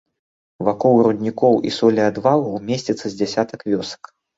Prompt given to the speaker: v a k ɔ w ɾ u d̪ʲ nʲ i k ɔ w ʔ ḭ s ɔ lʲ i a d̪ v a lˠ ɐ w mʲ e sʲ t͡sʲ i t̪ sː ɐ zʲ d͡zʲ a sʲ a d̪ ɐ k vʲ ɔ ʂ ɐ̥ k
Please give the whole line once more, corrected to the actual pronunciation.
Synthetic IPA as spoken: v a k ɔ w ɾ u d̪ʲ nʲ i k ɔ w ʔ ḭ s ɔ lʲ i a d̪ v a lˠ ɐ w mʲ e sʲ t͡sʲ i t̪ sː ɐ zʲ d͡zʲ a sʲ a t̪ ɐ k vʲ ɔ s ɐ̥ k